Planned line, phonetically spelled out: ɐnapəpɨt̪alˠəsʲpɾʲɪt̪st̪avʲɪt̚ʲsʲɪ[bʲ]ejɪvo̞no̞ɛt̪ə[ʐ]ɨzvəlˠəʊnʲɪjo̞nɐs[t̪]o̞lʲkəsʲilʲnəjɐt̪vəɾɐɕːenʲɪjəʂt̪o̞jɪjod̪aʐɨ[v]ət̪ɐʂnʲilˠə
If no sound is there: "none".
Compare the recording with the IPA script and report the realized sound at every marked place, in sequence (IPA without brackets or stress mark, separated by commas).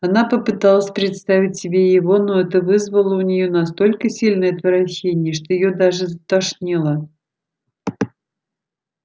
bʲ, v, t̪, z